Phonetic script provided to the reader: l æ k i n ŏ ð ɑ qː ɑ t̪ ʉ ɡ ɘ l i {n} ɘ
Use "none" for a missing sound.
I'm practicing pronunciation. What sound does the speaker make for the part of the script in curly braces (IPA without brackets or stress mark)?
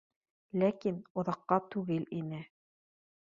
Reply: n